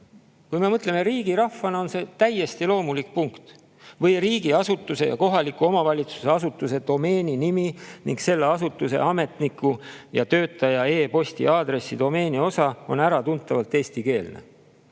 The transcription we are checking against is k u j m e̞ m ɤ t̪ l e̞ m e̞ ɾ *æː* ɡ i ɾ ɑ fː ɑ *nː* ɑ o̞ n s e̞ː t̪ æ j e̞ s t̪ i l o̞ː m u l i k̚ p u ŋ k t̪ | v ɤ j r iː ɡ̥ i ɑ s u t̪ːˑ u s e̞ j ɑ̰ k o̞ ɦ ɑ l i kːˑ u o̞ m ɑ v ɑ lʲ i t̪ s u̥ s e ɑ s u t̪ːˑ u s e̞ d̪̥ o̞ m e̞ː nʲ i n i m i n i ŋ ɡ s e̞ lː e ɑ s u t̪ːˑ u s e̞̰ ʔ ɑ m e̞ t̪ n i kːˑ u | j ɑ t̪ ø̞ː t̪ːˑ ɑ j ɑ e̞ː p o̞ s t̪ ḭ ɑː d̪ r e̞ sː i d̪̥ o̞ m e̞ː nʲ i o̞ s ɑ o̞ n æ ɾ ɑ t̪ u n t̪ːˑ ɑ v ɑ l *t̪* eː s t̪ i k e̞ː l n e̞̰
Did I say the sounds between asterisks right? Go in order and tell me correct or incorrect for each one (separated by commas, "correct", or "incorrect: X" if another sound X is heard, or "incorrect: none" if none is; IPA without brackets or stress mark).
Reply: incorrect: iː, incorrect: n, correct